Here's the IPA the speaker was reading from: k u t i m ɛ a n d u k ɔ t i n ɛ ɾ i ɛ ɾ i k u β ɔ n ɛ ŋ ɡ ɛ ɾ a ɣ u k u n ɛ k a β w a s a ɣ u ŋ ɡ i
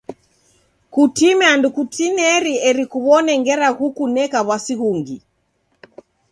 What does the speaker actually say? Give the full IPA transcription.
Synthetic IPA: k u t i m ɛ a n d u k u t i n ɛ ɾ i ɛ ɾ i k u β ɔ n ɛ ŋ ɡ ɛ ɾ a ɣ u k u n ɛ k a β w a s i ɣ u ŋ ɡ i